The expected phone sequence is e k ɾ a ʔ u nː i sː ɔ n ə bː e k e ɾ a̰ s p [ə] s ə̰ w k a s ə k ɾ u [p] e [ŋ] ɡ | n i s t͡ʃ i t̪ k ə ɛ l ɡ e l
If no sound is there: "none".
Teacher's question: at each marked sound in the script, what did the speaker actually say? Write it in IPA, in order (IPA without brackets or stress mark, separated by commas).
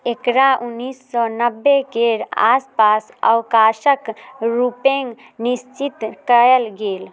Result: a, p, ŋ